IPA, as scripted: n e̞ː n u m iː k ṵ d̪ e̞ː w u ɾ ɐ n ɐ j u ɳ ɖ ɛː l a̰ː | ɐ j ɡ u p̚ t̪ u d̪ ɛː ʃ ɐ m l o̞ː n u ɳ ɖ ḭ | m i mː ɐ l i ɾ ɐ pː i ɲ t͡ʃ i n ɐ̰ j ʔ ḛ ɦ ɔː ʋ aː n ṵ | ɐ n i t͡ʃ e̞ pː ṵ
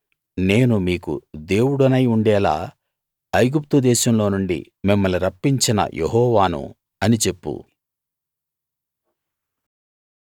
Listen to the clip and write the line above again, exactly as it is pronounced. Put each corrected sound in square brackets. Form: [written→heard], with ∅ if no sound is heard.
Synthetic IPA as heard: n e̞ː n u m iː k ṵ d̪ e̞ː w u [ɾ→ɽ] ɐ n ɐ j u ɳ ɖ ɛː l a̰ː | ɐ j ɡ u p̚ t̪ u d̪ ɛː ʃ ɐ m l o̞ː n u ɳ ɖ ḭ | m i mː ɐ l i ɾ ɐ pː i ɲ t͡ʃ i n ɐ̰ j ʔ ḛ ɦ ɔː ʋ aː n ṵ | ɐ n i t͡ʃ e̞ pː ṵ

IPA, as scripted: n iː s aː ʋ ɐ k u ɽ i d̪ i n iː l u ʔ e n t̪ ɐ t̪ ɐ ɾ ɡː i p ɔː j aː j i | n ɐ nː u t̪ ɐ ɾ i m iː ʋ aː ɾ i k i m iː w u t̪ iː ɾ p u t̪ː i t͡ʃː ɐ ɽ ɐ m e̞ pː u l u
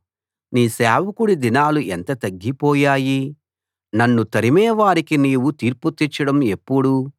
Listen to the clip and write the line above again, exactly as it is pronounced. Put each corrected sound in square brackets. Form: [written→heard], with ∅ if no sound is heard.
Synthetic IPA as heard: n iː s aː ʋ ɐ k u ɽ i d̪ i n [iː→aː] l u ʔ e n t̪ ɐ t̪ ɐ [ɾ→∅] ɡː i p ɔː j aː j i | n ɐ nː u t̪ ɐ ɾ i m [iː→ɛː] ʋ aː ɾ i k i [m→n] iː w u t̪ iː ɾ p u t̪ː i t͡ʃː ɐ ɽ ɐ m e̞ pː u [l→ɽ] u

